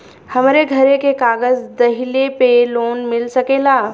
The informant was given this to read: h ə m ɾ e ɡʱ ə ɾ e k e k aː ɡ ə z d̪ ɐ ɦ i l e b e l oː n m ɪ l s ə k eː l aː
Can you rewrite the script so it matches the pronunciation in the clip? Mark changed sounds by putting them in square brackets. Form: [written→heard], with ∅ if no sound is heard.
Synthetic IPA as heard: h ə m ɾ e ɡʱ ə ɾ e k e k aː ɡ ə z d̪ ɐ ɦ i l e [b→p] e l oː n m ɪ l s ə k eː l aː

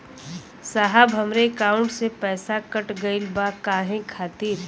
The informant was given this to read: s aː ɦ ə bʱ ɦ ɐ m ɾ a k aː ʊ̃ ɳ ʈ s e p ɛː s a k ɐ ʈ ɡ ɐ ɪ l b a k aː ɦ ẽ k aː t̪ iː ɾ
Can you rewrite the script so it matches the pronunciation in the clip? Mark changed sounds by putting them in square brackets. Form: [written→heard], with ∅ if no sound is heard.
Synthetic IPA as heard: s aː ɦ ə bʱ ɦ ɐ m ɾ [a→e] k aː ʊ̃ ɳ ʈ s e p ɛː s a k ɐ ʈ ɡ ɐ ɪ l b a k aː ɦ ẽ [k→kʰ] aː t̪ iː ɾ

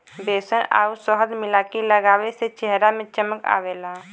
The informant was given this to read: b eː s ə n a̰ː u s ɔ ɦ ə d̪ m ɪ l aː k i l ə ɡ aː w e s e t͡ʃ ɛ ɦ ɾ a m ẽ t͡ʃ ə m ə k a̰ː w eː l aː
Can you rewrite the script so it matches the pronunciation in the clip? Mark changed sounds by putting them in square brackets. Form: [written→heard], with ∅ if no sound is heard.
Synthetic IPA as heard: b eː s ə n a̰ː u s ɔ ɦ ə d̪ m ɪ l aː k i l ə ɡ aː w e s e t͡ʃ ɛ ɦ ɾ a m ẽ t͡ʃ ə m ə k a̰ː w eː l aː

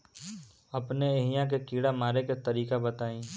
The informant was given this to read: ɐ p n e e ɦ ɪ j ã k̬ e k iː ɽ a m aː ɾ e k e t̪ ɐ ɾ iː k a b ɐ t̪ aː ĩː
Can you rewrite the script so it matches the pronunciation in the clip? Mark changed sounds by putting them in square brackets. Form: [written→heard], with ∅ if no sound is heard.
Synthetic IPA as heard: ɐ p n e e ɦ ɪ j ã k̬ e k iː ɽ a m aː ɾ e k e t̪ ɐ ɾ iː k a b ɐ t̪ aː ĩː

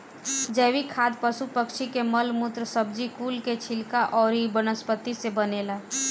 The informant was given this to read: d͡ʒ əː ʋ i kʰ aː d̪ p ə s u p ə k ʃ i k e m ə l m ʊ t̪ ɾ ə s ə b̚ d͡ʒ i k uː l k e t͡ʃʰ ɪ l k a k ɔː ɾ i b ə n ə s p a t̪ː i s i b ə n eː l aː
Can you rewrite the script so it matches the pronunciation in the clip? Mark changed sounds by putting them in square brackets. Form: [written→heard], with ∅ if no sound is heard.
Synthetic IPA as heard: d͡ʒ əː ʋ i kʰ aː d̪ p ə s u p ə k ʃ i k e m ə l m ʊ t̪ ɾ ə s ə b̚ d͡ʒ i k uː l k e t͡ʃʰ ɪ l k a [k→ʔ] ɔː ɾ i b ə n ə s p [a→ə] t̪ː i s [i→e] b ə n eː l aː

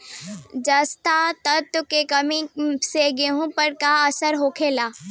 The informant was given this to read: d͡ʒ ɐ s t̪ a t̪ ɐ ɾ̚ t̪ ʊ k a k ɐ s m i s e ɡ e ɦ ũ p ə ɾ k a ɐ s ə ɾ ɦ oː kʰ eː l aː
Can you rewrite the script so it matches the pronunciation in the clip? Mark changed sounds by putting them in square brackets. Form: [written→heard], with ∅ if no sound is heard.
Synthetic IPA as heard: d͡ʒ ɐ s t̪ a t̪ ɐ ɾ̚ t̪ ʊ k [a→e] k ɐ [s→∅] m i s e ɡ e ɦ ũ p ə ɾ k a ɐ s ə ɾ ɦ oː kʰ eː l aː

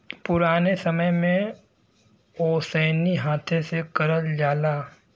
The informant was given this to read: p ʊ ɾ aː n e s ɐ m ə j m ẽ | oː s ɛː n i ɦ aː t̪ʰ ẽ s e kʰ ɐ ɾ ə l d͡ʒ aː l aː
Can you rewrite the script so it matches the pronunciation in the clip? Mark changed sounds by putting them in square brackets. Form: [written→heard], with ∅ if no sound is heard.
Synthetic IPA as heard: p ʊ ɾ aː n e s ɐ m ə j m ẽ | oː s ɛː n i ɦ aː t̪ʰ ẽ s e [kʰ→k] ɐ ɾ ə l d͡ʒ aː l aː

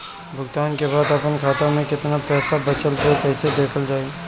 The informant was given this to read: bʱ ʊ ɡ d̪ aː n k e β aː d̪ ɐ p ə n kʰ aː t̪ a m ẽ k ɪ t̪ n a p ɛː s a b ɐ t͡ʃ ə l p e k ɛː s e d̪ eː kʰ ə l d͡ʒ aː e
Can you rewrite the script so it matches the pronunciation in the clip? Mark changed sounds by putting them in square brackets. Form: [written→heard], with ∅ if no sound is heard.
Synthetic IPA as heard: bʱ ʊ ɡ [d̪→t̪] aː n k e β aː d̪ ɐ p ə n kʰ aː t̪ a m ẽ k ɪ t̪ n a p ɛː s a b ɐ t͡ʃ ə l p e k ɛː s e d̪ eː kʰ ə l d͡ʒ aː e

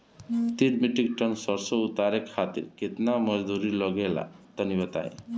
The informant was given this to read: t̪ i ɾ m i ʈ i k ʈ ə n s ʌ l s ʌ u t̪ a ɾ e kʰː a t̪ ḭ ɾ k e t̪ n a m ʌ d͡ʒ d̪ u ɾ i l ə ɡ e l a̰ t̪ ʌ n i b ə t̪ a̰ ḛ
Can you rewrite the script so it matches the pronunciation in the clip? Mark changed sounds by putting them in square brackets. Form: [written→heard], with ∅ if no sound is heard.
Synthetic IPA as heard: t̪ i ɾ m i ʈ i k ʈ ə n s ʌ [l→ɾ] s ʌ u t̪ a ɾ e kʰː a t̪ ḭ ɾ k e t̪ n a m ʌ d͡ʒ d̪ u ɾ i l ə ɡ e l a̰ t̪ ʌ n i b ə t̪ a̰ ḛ

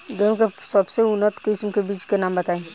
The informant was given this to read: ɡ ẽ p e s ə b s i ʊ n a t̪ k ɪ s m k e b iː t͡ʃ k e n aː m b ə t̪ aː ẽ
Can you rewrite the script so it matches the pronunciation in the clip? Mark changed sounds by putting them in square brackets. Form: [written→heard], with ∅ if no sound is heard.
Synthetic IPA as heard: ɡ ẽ [p→k] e s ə b s [i→e] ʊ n [a→ə] t̪ k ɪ s m k e b iː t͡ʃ k e n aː m b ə t̪ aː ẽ

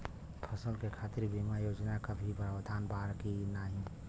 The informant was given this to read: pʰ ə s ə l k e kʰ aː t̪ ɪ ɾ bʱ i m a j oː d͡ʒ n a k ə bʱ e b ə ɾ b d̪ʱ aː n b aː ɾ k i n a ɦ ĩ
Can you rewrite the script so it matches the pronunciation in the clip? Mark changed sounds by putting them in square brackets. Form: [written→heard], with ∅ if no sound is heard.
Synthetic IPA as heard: pʰ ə s ə l k e kʰ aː t̪ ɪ ɾ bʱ i m a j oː d͡ʒ n a k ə bʱ [e→i] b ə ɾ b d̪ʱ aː n b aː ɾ k i n a ɦ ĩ

